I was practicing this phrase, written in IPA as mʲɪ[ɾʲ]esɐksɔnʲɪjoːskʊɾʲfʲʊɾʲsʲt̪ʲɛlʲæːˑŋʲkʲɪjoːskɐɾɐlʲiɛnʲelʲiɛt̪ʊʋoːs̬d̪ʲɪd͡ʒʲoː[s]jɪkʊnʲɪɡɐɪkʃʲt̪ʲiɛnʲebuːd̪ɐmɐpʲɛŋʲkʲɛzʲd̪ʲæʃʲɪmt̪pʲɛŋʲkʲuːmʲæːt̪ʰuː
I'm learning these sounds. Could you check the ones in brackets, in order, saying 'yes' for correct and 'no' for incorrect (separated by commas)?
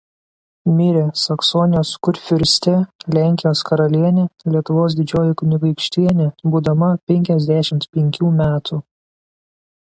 yes, no